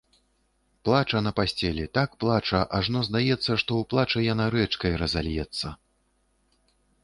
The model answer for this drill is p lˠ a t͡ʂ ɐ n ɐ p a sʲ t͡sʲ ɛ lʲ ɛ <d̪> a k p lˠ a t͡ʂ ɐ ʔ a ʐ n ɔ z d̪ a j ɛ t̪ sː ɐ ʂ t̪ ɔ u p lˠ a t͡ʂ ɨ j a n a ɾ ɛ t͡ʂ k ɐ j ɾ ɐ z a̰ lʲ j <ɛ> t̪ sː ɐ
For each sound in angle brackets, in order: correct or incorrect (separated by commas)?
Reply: incorrect, correct